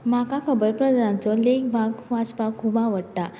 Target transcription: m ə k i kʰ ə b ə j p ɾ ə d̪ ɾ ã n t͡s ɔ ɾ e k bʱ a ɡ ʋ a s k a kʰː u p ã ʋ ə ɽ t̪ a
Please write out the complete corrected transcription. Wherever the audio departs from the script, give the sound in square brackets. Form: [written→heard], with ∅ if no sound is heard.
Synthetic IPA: m [ə→a] k [i→a] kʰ ə b ə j p ɾ ə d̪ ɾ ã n t͡s ɔ [ɾ→l] e k bʱ a ɡ ʋ a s [k→p] a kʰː u [p→b] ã ʋ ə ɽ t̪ a